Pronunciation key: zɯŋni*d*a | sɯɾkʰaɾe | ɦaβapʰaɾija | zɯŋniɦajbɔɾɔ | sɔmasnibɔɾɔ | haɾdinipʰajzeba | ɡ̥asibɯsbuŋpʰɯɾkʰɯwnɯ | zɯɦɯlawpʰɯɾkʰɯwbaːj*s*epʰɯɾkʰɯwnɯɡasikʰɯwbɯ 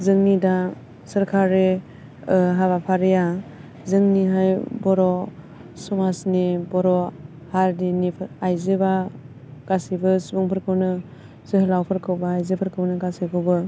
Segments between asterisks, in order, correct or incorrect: correct, incorrect

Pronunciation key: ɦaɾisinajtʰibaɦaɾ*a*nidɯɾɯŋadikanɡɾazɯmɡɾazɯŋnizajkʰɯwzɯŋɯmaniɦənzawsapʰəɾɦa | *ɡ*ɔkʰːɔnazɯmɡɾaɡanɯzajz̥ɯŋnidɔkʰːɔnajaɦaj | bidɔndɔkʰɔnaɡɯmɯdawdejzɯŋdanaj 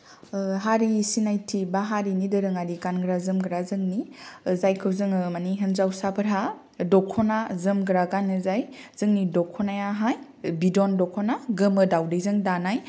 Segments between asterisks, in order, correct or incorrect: incorrect, incorrect

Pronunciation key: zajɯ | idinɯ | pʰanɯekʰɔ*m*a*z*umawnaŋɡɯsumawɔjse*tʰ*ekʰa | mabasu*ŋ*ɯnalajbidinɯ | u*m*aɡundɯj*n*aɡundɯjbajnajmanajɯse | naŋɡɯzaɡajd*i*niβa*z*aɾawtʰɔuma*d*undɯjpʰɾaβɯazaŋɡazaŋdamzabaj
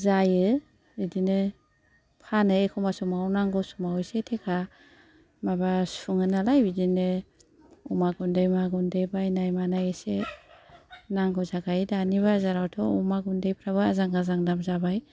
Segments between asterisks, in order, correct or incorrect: correct, incorrect, correct, correct, correct, incorrect, incorrect, correct, incorrect

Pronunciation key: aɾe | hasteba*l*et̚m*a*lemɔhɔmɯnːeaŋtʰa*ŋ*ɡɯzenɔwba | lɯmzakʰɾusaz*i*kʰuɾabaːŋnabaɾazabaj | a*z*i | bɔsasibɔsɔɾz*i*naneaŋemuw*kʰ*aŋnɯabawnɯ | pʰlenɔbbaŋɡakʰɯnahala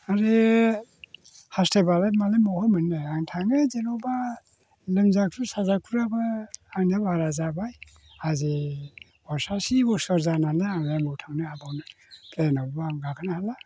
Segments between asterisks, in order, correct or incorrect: correct, correct, correct, incorrect, correct, incorrect, incorrect

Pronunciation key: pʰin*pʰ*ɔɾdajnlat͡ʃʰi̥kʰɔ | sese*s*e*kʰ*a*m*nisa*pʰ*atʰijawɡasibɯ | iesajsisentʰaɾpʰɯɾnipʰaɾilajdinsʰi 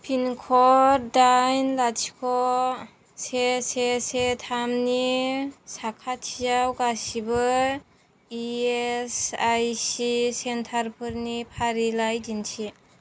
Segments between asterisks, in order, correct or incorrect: incorrect, correct, incorrect, correct, incorrect

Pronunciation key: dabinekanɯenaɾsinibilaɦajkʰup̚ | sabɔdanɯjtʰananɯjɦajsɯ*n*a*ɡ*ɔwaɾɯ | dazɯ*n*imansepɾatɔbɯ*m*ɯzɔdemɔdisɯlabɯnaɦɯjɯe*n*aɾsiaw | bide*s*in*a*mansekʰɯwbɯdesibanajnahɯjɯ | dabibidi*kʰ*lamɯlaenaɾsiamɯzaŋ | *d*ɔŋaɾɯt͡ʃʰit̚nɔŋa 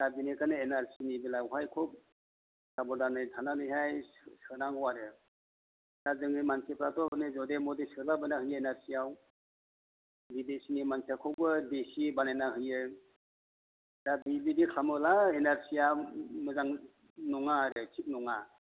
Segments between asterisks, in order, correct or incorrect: correct, incorrect, incorrect, incorrect, correct, correct, incorrect, correct, incorrect

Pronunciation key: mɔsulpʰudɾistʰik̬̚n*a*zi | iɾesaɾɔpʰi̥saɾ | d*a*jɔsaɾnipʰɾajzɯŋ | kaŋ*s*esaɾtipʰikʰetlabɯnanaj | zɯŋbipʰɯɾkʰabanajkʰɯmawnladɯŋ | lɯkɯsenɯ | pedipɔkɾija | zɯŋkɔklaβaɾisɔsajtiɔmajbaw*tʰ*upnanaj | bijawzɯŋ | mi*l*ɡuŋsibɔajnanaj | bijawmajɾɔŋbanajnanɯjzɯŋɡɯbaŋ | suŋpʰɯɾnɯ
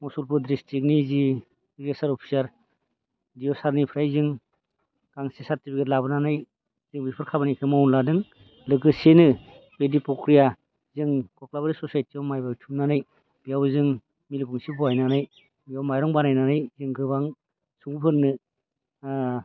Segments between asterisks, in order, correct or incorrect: incorrect, incorrect, correct, correct, correct

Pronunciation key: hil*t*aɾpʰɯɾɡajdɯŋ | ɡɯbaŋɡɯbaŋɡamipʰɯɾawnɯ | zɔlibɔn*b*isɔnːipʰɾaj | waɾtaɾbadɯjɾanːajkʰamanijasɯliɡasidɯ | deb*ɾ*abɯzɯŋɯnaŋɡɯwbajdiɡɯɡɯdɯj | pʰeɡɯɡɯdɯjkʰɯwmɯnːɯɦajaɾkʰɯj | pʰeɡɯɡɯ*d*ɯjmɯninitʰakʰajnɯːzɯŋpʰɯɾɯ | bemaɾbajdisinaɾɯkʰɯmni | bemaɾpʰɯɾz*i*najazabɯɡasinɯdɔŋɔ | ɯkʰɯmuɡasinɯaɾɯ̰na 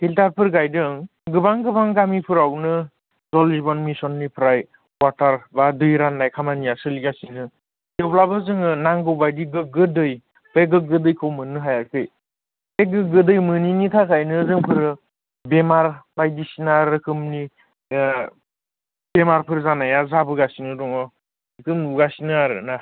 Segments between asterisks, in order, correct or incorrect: correct, incorrect, incorrect, correct, incorrect

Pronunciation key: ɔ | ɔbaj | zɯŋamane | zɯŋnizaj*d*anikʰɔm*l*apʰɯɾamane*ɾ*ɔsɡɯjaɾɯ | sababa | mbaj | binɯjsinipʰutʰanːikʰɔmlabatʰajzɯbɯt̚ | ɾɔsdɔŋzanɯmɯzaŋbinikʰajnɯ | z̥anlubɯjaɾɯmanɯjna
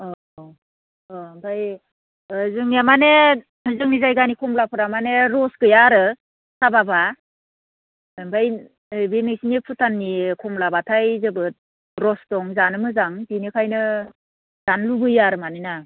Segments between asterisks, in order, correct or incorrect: incorrect, correct, correct

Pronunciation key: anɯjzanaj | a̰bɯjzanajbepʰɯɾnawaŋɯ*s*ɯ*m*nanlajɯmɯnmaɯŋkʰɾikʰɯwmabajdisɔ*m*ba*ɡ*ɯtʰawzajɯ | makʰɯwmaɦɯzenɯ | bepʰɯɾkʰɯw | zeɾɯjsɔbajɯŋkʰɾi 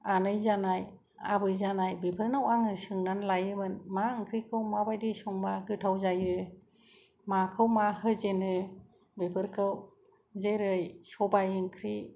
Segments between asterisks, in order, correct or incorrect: correct, incorrect, incorrect, correct

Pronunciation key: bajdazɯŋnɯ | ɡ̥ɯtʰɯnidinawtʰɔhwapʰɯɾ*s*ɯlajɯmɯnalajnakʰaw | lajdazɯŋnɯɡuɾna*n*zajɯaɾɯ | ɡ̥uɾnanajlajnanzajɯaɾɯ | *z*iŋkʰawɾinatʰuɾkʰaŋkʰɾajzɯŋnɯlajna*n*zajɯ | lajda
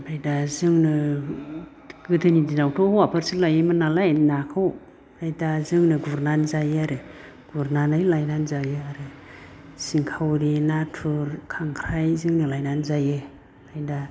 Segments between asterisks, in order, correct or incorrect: correct, correct, incorrect, correct

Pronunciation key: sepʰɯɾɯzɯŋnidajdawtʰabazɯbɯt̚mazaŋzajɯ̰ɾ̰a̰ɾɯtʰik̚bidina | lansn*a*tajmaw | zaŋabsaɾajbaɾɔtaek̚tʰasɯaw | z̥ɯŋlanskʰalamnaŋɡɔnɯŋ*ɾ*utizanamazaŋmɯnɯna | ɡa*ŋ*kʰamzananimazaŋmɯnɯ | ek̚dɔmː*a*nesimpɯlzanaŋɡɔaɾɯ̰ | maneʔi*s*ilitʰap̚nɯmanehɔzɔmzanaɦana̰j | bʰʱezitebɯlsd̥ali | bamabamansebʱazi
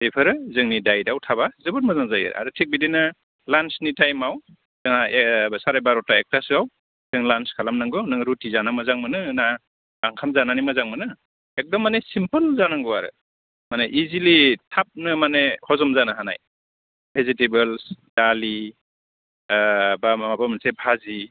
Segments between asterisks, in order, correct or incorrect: incorrect, correct, correct, correct, incorrect

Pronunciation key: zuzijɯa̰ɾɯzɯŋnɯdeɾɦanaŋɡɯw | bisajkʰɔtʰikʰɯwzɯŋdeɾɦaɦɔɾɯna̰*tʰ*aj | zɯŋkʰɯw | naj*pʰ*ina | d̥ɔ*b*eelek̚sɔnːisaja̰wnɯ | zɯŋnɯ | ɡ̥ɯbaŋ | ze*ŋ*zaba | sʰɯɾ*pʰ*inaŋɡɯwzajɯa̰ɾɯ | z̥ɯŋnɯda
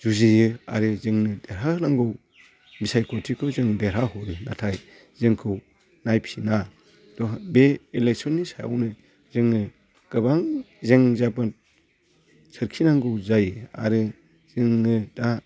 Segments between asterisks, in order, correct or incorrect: correct, correct, correct, correct, incorrect

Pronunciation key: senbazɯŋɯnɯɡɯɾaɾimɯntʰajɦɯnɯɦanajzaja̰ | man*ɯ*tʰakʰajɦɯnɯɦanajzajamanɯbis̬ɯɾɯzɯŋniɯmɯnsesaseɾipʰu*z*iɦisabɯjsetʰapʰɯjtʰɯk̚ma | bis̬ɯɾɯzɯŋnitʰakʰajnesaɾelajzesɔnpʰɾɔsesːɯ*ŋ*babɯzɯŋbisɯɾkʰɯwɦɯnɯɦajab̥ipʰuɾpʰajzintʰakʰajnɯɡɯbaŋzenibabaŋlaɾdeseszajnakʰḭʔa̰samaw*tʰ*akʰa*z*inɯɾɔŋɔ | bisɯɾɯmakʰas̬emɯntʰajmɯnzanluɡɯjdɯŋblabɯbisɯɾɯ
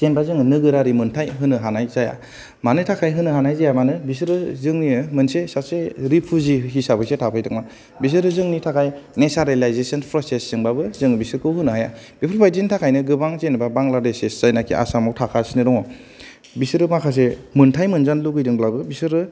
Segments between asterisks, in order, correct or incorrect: correct, correct, correct, correct, incorrect

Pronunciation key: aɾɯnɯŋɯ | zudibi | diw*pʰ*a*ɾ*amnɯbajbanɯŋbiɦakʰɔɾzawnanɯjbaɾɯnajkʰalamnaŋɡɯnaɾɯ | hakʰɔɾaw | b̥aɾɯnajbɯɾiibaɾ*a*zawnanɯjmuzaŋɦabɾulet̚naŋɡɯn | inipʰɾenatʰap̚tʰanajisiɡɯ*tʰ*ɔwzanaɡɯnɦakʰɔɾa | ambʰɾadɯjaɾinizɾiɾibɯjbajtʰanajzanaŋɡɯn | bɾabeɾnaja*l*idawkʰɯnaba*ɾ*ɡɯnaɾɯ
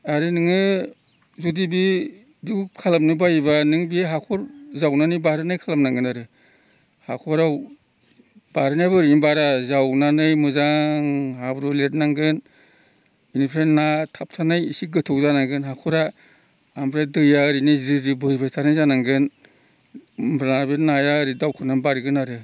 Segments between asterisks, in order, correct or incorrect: incorrect, incorrect, correct, correct, incorrect, correct

